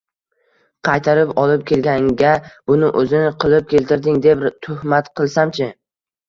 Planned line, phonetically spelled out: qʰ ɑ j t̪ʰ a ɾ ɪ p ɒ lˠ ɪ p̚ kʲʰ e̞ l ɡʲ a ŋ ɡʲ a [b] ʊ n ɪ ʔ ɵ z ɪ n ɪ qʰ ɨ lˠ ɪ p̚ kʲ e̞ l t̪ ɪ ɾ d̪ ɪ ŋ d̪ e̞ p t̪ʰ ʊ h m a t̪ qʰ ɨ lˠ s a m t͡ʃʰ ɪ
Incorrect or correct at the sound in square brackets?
correct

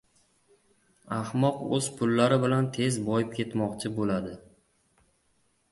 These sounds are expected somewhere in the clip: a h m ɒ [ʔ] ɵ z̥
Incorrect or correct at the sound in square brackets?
incorrect: q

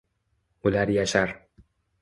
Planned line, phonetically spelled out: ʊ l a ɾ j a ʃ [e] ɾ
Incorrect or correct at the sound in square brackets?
incorrect: a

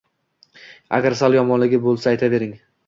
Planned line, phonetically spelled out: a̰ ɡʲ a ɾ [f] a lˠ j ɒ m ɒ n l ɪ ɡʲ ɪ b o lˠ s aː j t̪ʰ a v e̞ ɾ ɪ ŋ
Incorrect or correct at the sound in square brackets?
incorrect: s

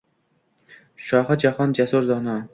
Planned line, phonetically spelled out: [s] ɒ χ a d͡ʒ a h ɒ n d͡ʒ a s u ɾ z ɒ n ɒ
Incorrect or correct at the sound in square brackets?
incorrect: ʃ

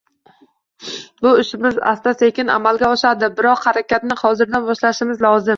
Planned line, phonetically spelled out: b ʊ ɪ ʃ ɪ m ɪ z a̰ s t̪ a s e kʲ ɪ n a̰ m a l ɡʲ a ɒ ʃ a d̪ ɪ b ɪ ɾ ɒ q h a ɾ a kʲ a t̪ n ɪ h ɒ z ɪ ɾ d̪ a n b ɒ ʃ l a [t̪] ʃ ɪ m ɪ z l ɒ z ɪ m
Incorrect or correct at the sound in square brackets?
incorrect: none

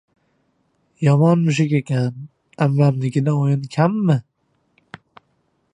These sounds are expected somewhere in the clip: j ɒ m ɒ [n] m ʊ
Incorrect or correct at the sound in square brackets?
correct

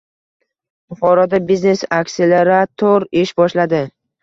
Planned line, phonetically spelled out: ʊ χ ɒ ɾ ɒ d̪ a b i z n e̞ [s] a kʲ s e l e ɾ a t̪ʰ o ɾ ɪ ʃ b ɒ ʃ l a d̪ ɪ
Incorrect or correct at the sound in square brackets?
correct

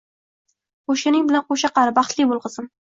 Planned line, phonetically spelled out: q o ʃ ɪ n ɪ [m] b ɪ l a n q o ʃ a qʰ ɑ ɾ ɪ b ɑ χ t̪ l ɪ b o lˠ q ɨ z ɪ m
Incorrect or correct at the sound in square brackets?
incorrect: ŋ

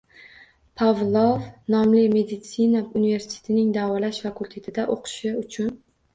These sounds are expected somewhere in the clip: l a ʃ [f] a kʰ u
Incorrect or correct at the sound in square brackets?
correct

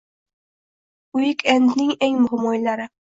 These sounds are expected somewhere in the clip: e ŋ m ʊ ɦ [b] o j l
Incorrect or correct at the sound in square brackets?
incorrect: m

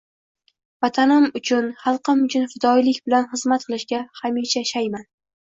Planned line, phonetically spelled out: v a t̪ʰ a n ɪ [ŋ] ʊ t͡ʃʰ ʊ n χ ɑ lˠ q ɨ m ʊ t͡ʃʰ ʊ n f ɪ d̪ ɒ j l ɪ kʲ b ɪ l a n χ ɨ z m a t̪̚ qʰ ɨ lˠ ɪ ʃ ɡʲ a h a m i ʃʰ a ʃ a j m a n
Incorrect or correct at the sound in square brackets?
incorrect: m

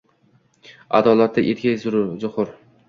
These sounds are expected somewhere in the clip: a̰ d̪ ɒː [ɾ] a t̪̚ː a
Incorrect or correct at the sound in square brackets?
incorrect: l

